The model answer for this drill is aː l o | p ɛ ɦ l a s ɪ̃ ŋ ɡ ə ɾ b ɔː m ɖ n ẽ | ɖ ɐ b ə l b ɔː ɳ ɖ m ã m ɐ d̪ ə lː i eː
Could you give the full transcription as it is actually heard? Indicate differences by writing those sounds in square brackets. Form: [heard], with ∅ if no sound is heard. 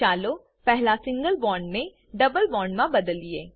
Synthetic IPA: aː l o | p ɛ ɦ l a s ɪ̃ ŋ ɡ ə [l] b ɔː [ɳ] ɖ n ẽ | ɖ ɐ b ə l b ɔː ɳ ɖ m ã [b] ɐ d̪ ə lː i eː